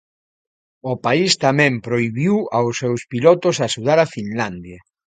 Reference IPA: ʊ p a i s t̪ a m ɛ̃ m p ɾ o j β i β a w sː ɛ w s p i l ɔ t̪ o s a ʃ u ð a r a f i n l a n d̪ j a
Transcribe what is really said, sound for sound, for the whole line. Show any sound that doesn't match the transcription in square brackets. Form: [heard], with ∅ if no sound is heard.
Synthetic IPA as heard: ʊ p a i s t̪ a m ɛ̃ m p ɾ o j β i [w] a w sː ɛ w s p i l ɔ t̪ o s a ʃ u ð a [ɾ] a f i n l a n d̪ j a